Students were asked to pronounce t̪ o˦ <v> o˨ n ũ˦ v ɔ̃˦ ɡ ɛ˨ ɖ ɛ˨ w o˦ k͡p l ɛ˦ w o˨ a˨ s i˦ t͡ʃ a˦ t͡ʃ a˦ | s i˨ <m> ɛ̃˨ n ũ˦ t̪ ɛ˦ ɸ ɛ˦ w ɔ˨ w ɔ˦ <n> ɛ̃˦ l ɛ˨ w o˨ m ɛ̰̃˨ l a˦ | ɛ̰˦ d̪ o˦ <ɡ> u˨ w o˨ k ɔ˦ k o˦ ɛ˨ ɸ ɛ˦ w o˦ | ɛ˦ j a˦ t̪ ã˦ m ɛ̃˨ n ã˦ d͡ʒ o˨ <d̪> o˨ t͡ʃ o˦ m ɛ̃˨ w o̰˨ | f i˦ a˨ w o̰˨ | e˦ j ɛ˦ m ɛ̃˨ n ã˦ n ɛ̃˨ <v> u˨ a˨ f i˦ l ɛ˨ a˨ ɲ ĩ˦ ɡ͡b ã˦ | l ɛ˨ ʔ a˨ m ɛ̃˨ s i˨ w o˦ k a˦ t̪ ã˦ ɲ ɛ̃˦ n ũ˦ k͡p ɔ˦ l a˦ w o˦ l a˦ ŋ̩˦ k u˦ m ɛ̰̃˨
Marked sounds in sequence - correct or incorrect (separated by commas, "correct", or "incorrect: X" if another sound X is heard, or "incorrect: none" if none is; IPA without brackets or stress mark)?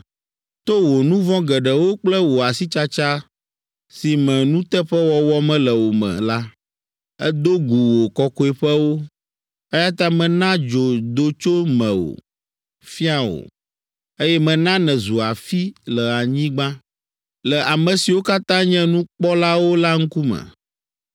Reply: incorrect: w, correct, incorrect: m, correct, correct, incorrect: z